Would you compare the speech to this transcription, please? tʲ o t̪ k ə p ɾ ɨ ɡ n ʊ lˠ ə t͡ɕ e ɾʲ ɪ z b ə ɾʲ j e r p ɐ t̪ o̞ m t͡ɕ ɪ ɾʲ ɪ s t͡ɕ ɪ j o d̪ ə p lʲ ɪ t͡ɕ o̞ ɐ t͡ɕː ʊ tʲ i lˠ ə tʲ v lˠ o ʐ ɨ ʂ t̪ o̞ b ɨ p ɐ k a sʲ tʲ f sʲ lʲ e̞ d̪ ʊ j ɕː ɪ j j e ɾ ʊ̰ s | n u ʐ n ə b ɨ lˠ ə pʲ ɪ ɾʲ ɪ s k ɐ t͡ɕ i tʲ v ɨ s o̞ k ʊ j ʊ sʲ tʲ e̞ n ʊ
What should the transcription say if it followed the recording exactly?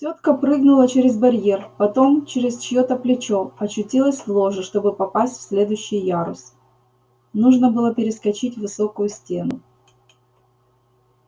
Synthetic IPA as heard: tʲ o t̪ k ə p ɾ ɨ ɡ n ʊ lˠ ə t͡ɕ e ɾʲ ɪ z b ɐ ɾʲ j e r p ɐ t̪ o̞ m t͡ɕ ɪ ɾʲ ɪ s t͡ɕ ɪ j o t̪ ə p lʲ ɪ t͡ɕ o̞ ɐ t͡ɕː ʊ tʲ i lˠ ə sʲ v lˠ o ʐ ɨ ʂ t̪ o̞ b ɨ p ɐ p a sʲ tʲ f sʲ lʲ e̞ d̪ ʊ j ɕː ɪ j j a ɾ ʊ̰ s | n u ʐ n ə b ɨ lˠ ə pʲ ɪ ɾʲ ɪ s k ɐ t͡ɕ i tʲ v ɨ s o̞ k ʊ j ʊ sʲ tʲ e̞ n ʊ